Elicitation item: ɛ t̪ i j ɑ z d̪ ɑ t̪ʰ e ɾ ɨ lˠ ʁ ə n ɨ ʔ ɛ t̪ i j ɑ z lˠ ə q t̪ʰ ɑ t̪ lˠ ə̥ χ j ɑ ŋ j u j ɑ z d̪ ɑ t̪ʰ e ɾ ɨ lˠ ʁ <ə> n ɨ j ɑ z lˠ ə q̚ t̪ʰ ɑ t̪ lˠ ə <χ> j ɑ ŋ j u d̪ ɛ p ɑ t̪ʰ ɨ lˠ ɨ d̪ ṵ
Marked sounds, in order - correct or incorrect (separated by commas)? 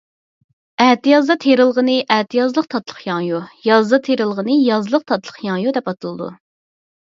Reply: correct, correct